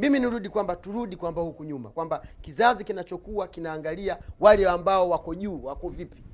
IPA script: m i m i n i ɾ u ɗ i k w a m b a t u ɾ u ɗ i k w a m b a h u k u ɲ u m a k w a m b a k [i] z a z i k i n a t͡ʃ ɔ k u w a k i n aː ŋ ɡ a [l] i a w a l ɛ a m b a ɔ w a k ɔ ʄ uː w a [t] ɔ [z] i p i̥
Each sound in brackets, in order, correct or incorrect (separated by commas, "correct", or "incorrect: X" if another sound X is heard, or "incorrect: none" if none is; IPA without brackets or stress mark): correct, correct, incorrect: k, incorrect: v